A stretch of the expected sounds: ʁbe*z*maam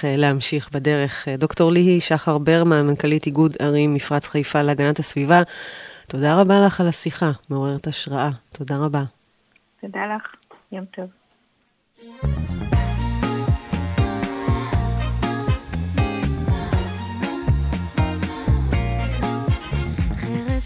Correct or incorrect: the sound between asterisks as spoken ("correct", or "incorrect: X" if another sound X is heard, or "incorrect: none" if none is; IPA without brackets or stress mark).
incorrect: ʁ